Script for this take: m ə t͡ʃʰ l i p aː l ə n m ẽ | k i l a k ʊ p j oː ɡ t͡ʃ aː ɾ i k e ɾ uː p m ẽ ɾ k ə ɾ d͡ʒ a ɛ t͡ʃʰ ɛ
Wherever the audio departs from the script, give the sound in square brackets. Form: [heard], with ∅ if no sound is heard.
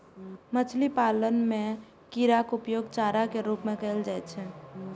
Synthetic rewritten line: m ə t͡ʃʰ l i p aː l ə n m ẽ | k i [ɾ] a k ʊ p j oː ɡ t͡ʃ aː ɾ [a] k e ɾ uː p m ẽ [∅] k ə [l] d͡ʒ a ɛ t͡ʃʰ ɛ